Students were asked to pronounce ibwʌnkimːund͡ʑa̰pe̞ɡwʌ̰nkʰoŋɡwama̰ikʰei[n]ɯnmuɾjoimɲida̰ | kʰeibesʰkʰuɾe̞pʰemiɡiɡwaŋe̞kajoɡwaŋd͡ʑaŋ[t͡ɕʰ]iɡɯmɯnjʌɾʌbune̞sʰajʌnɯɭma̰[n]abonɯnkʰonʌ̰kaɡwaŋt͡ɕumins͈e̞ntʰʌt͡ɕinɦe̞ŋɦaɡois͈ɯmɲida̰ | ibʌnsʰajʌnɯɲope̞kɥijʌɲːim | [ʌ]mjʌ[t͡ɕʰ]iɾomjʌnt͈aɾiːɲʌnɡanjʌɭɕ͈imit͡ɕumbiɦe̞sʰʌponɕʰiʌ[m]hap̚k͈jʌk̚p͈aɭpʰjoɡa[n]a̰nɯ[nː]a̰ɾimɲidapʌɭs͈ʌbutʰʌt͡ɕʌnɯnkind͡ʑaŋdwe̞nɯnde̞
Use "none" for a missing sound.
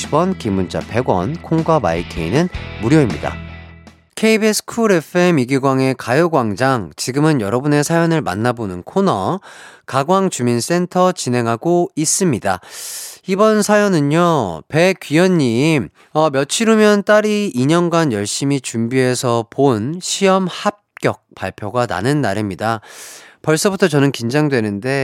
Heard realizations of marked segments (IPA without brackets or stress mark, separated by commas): n, t͡ɕ, nː, ʌ, t͡ɕʰ, m, n, nː